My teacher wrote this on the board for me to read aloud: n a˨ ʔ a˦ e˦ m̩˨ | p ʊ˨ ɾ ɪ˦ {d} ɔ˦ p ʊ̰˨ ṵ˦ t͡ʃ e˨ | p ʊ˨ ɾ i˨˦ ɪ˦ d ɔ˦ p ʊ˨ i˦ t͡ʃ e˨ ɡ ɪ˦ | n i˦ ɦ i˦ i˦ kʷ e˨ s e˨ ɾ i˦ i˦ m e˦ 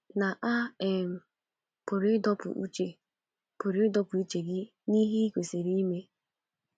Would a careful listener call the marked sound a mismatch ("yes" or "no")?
no